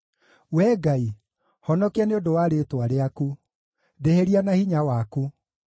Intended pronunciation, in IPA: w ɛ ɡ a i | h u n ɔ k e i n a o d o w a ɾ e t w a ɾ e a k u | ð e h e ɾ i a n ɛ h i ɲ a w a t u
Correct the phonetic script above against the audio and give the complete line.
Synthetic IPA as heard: w ɛ ɡ a i | h ɔ n ɔ k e a n e o d o w a ɾ e t w a ɾ e a k u | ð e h e ɾ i a n a h i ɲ a w a k u